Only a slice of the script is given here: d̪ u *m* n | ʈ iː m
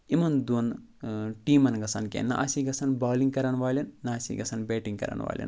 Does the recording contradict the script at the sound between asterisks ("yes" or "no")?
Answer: yes